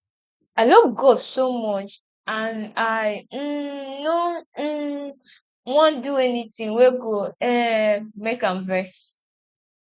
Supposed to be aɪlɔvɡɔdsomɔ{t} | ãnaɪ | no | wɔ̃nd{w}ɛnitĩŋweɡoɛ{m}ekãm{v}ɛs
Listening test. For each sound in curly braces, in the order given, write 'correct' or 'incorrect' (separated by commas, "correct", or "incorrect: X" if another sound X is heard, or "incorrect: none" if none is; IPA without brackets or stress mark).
incorrect: t͡ʃ, incorrect: u, correct, correct